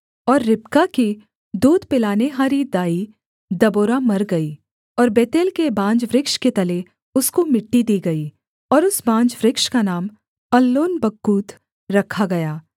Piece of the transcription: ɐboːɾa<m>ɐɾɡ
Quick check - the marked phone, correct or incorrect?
correct